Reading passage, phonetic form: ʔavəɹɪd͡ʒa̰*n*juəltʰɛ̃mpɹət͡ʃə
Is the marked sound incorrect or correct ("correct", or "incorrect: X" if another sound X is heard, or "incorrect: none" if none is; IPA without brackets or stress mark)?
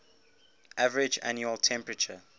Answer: correct